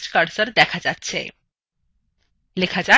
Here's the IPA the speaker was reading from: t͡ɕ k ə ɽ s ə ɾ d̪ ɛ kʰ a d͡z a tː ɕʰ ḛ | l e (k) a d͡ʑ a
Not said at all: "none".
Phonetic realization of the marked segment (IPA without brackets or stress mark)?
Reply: kʰ